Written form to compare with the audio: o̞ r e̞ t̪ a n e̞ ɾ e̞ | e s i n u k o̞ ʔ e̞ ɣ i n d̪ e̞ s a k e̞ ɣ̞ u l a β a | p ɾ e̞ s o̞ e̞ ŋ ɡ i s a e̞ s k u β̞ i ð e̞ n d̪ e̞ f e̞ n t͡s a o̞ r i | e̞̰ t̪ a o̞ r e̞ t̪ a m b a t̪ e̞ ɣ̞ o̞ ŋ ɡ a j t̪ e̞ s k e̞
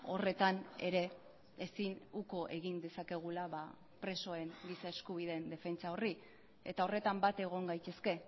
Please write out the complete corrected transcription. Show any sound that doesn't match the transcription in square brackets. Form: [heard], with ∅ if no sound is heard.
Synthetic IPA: o̞ r e̞ t̪ a n e̞ ɾ e̞ | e s i n u k o̞ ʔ e̞ ɣ i n d̪ e̞ s a k e̞ ɣ̞ u l a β a | p ɾ e̞ s o̞ e̞ ŋ ɡ i s a e̞ s k u β̞ i ð e̞ n d̪ e̞ f e̞ n t͡s a o̞ r i | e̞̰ t̪ a o̞ r e̞ t̪ a m b a t̪ e̞ ɣ̞ o̞ ŋ ɡ a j t̪ e̞ s k e̞